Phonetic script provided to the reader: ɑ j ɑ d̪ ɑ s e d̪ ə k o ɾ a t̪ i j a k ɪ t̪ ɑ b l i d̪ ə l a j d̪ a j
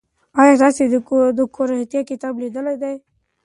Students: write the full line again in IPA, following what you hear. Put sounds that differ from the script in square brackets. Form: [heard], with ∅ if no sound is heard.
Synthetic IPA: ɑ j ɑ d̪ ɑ s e d̪ ə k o ɾ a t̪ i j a k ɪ t̪ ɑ b l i d̪ ə l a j d̪ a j